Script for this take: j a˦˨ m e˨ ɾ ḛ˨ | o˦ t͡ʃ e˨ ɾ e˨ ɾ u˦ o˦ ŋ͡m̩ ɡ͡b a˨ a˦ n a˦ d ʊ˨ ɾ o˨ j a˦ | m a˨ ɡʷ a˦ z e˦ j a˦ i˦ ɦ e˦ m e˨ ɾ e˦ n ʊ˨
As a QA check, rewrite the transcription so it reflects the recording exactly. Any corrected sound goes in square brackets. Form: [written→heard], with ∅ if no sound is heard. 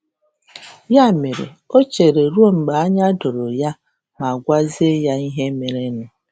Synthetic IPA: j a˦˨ m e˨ ɾ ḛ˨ | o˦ t͡ʃ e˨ ɾ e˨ ɾ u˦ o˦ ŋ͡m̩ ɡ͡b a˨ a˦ [n→ɲ] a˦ d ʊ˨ ɾ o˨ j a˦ | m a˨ ɡʷ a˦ z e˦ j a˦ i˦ ɦ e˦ m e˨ ɾ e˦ n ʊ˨